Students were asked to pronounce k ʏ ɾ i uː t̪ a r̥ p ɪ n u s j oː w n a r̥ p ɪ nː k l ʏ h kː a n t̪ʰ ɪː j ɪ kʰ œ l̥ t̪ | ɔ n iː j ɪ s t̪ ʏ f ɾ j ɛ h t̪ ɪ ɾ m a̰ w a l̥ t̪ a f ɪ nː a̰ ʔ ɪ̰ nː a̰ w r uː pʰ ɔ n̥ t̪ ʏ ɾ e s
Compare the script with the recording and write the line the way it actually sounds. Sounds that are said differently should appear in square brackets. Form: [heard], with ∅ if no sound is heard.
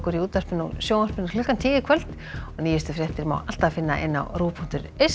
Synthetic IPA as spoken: k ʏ ɾ i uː t̪ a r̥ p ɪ n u s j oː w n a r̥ p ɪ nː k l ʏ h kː a n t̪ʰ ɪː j ɪ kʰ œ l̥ t̪ | ɔ n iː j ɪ s t̪ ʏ f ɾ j ɛ h t̪ ɪ ɾ m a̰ w a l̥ t̪ a f ɪ nː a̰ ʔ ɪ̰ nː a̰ w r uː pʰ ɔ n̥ t̪ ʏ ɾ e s